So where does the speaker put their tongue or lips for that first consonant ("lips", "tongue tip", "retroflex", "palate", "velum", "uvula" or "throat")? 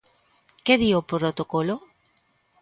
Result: velum